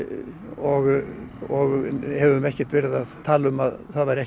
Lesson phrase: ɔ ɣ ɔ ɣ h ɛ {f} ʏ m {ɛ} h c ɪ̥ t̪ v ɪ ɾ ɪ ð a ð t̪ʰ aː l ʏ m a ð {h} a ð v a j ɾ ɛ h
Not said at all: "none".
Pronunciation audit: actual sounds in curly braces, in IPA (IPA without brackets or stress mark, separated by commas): v, ɛ, θ